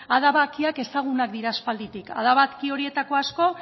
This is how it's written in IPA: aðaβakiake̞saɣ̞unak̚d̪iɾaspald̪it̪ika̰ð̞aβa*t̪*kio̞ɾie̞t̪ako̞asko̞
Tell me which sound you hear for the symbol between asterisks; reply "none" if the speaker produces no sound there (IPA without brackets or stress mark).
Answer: t̪